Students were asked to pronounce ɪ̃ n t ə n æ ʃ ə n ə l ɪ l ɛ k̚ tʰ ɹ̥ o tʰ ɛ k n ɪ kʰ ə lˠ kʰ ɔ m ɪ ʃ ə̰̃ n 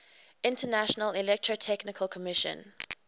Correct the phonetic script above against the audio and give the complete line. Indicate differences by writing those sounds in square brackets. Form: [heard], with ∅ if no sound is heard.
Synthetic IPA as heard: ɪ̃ n t ə n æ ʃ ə n ə l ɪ l ɛ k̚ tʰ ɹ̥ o tʰ ɛ k n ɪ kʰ ə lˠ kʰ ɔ m ɪ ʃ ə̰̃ n

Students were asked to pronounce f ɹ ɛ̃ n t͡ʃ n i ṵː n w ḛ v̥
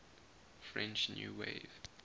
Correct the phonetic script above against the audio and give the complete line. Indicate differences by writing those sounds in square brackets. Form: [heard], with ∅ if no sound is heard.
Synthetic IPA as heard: f ɹ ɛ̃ n t͡ʃ n [j] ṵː [∅] w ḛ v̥

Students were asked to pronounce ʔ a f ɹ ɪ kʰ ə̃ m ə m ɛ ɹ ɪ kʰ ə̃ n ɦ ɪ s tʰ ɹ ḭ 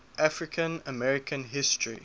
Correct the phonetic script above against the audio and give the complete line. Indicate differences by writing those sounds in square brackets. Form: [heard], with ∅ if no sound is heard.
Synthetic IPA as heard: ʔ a f ɹ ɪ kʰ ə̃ [n] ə m ɛ ɹ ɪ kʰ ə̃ n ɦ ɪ s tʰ ɹ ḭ

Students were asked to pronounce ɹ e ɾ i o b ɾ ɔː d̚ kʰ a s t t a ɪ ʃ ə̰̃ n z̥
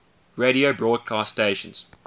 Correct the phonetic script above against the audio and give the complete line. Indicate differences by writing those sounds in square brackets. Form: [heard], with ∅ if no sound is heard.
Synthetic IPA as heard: ɹ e ɾ i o b [ɹ] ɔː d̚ kʰ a s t t [e] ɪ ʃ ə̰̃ n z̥

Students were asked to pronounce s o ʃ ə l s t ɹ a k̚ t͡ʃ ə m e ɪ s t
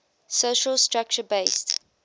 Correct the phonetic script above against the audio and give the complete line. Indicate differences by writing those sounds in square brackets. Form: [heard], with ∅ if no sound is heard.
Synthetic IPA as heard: s o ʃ ə l s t ɹ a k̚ t͡ʃ ə [b] e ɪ s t

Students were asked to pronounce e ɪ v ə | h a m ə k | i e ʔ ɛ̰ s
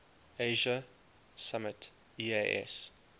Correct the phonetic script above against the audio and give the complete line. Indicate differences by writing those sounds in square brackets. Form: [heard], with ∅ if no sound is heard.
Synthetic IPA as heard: e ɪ [ʒ] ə | [s] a m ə [t] | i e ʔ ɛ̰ s

